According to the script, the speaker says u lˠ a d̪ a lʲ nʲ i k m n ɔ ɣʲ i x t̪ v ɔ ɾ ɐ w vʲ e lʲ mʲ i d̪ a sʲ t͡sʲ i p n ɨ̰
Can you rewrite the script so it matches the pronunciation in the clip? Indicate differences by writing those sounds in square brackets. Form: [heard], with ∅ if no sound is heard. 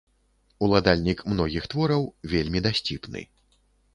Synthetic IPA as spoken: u lˠ a d̪ a lʲ nʲ i k m n ɔ ɣʲ i x t̪ v ɔ ɾ ɐ w vʲ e lʲ mʲ i d̪ a sʲ t͡sʲ i p n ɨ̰